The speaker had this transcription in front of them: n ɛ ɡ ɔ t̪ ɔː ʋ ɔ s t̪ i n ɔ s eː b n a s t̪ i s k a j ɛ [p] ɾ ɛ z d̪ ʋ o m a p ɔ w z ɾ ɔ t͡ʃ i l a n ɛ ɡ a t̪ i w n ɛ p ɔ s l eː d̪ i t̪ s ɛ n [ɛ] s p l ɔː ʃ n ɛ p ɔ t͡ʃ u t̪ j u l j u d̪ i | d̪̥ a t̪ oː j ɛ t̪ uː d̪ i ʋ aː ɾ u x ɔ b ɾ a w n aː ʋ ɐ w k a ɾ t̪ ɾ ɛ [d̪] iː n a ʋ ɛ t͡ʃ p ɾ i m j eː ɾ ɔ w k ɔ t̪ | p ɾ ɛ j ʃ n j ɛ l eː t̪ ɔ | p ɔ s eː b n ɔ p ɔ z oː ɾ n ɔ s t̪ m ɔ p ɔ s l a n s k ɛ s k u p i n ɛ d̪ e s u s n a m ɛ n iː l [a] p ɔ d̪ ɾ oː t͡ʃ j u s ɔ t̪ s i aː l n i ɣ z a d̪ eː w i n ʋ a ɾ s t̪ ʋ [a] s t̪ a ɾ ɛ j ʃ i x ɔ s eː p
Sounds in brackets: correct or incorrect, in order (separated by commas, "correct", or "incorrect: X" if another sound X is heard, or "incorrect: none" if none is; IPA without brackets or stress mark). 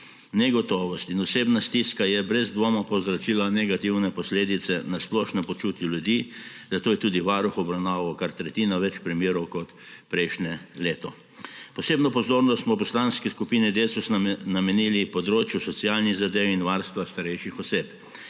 incorrect: b, incorrect: a, incorrect: t̪, incorrect: i, correct